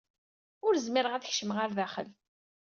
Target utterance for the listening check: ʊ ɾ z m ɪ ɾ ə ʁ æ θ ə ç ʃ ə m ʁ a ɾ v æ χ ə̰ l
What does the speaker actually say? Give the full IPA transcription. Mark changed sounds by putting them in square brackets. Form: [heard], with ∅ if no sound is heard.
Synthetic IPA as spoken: ʊ ɾ z m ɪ ɾ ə ʁ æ θ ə ç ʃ ə m ʁ a ɾ [ð] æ χ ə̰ l